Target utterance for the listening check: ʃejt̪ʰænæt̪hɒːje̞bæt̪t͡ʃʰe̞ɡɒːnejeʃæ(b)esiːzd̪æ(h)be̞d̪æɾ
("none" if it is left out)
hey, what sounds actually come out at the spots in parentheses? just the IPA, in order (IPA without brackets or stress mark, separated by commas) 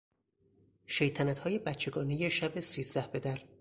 b, h